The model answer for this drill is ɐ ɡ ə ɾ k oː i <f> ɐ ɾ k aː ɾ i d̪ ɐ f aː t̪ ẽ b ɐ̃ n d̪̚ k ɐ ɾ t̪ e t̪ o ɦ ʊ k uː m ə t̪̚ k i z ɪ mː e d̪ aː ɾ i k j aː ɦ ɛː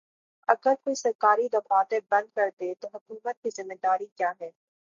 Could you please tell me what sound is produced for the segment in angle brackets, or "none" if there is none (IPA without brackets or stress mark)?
s